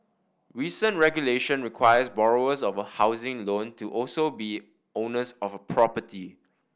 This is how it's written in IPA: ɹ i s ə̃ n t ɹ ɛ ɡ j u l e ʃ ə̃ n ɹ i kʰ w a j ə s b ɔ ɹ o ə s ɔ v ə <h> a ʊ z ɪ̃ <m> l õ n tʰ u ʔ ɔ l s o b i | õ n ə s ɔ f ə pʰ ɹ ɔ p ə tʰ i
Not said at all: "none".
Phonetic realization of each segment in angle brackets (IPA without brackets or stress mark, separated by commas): h, ŋ